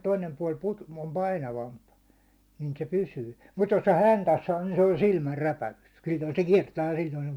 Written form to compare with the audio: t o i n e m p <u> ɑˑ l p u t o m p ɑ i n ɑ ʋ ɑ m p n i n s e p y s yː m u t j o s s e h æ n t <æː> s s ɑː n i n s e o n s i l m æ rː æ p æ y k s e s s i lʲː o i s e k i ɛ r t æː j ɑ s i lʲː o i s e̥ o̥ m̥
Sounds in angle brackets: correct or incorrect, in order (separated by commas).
correct, incorrect